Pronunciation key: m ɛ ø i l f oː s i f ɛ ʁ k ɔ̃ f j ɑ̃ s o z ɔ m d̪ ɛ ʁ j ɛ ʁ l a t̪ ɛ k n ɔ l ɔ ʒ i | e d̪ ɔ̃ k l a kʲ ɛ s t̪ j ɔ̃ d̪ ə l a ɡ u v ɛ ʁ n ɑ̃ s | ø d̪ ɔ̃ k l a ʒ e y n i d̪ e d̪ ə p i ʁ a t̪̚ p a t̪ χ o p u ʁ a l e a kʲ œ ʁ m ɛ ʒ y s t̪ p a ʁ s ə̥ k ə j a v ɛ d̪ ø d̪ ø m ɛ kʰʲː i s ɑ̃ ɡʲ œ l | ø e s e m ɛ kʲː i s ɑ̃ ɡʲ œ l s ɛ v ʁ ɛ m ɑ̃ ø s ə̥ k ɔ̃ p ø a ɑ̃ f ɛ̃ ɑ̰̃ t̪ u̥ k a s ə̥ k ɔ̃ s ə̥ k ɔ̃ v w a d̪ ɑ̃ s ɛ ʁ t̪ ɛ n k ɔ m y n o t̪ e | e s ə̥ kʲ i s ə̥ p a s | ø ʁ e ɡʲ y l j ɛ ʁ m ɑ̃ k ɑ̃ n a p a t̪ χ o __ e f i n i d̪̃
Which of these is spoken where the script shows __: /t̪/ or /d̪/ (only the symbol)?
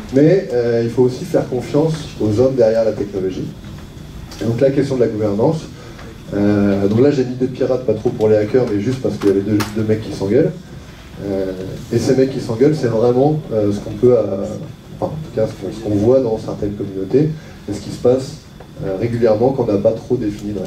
d̪